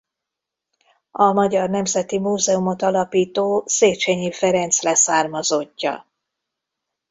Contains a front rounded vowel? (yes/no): no